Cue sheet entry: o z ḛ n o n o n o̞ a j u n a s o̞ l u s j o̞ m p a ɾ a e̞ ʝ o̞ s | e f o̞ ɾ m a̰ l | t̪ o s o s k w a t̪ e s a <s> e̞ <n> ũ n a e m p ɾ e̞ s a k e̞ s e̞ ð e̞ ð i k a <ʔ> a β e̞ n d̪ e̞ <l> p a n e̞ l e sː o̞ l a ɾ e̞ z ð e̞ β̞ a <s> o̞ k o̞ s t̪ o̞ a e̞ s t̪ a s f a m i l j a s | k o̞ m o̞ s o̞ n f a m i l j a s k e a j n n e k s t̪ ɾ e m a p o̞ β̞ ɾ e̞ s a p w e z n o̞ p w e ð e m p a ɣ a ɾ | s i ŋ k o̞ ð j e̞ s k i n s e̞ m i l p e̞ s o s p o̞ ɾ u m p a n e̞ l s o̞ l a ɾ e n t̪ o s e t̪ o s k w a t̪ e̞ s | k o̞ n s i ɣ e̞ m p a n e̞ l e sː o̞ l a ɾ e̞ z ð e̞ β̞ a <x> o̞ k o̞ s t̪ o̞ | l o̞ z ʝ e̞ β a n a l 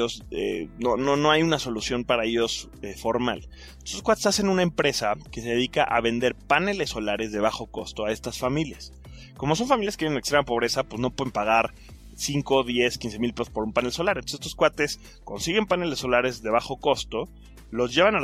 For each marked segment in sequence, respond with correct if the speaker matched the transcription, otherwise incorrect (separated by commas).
correct, correct, correct, incorrect, incorrect, correct